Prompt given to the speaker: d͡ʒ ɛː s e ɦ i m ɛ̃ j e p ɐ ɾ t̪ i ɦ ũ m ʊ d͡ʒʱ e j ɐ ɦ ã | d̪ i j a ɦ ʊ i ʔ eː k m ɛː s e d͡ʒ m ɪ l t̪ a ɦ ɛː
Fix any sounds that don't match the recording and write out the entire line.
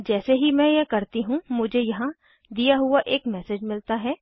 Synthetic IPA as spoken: d͡ʒ ɛː s e ɦ i m ɛ̃ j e k ɐ ɾ t̪ i ɦ ũ m ʊ d͡ʒʱ e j ɐ ɦ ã | d̪ i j a ɦ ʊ a ʔ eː k m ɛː s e d͡ʒ m ɪ l t̪ a ɦ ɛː